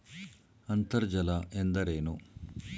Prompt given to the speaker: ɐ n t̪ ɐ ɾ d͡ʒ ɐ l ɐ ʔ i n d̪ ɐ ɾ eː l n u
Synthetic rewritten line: ɐ n t̪ ɐ ɾ d͡ʒ ɐ l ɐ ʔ e n d̪ ɐ ɾ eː n u